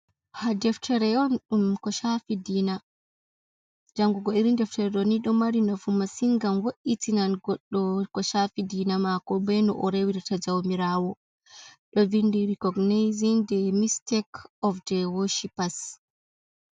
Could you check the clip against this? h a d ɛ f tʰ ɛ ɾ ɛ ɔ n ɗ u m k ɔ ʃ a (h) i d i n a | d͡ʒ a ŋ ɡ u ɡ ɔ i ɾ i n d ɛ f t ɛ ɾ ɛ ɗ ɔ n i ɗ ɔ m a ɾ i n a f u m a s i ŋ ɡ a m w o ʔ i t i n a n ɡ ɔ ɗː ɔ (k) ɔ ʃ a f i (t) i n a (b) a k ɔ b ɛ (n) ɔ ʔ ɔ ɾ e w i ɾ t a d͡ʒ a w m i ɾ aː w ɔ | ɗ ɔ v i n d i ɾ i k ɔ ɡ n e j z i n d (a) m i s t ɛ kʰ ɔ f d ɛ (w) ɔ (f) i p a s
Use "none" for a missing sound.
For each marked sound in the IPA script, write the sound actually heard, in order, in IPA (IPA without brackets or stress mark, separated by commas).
f, k, d, m, n, ɛ, w, ʃ